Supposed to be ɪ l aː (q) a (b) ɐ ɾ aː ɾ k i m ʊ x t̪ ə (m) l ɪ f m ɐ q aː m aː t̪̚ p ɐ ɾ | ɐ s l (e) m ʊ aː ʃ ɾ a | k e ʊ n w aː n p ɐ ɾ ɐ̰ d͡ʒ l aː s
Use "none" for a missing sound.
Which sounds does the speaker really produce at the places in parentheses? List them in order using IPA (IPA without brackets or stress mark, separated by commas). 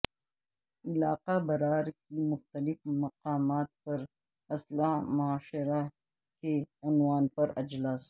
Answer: q, b, none, a